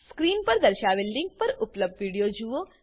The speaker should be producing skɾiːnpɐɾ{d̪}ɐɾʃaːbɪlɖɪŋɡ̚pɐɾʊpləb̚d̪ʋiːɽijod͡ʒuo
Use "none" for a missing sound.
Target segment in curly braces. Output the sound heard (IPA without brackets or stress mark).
d̪